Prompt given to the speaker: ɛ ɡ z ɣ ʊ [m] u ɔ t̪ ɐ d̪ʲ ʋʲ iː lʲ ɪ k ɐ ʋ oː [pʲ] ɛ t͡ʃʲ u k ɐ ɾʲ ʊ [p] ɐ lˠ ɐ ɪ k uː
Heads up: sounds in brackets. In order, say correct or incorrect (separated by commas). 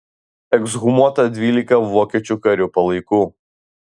correct, incorrect, correct